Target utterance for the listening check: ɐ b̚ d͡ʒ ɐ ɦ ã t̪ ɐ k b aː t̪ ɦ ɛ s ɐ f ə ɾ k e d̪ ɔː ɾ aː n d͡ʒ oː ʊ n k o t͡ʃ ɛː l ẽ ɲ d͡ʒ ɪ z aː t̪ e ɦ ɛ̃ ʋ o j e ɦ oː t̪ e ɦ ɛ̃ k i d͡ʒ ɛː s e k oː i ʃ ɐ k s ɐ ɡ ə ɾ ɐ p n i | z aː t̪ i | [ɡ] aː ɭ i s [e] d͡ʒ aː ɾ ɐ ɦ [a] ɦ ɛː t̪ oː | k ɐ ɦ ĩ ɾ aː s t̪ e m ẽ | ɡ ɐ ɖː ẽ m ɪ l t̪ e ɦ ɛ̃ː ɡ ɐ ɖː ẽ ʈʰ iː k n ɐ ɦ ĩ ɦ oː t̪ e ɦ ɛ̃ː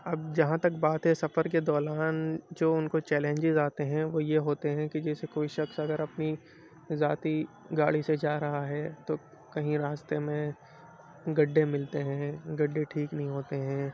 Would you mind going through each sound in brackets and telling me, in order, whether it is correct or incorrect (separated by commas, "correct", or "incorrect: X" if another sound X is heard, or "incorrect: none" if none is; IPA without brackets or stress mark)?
correct, correct, correct